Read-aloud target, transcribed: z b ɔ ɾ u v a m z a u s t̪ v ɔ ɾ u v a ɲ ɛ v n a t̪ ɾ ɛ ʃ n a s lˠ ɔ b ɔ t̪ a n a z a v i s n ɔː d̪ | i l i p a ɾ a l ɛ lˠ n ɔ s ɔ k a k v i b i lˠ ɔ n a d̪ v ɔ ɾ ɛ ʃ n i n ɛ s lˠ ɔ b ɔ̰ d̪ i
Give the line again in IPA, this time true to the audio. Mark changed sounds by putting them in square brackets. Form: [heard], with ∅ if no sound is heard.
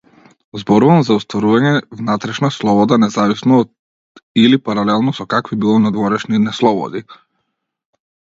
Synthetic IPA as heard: z b ɔ ɾ u v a m z a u s t̪ v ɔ ɾ u v a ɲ ɛ v n a t̪ ɾ ɛ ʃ n a s lˠ ɔ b ɔ [d̪] a n [ɛ] z a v i s n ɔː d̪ | i l i p a ɾ a l ɛ lˠ n ɔ s ɔ k a k v i b i lˠ ɔ n a d̪ v ɔ ɾ ɛ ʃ n i n ɛ s lˠ ɔ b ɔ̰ d̪ i

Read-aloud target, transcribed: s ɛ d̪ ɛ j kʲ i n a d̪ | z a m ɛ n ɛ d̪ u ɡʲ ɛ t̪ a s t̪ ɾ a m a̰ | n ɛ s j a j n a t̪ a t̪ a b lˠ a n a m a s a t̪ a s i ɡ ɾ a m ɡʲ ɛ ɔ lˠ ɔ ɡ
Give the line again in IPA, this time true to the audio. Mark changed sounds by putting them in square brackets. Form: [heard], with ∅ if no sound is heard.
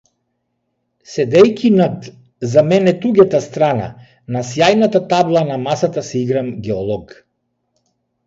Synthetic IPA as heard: s ɛ d̪ ɛ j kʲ i n a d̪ | z a m ɛ n ɛ [t̪] u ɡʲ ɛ t̪ a s t̪ ɾ a [n] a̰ | n [a] s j a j n a t̪ a t̪ a b lˠ a n a m a s a t̪ a s i ɡ ɾ a m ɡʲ ɛ ɔ lˠ ɔ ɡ

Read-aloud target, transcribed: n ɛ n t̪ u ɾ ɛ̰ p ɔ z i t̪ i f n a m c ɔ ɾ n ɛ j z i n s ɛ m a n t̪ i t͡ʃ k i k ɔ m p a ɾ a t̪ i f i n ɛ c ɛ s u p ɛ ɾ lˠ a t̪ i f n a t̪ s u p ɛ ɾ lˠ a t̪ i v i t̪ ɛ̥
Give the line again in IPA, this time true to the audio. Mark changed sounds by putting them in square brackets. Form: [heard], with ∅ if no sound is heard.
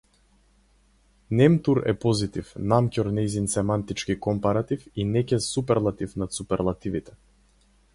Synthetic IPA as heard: n ɛ [m] t̪ u ɾ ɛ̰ p ɔ z i t̪ i f n a m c ɔ ɾ n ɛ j z i n s ɛ m a n t̪ i t͡ʃ k i k ɔ m p a ɾ a t̪ i f i n ɛ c ɛ s u p ɛ ɾ lˠ a t̪ i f n a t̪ s u p ɛ ɾ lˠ a t̪ i v i t̪ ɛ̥

